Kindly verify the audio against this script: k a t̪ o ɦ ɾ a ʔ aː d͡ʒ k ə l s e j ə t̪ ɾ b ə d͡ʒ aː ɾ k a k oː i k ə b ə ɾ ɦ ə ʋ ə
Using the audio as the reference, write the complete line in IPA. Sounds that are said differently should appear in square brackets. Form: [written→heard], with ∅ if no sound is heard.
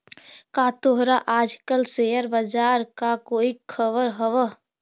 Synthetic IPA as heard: k a t̪ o ɦ ɾ a ʔ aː d͡ʒ k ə l s e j ə [t̪→∅] ɾ b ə d͡ʒ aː ɾ k a k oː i [k→kʰ] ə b ə ɾ ɦ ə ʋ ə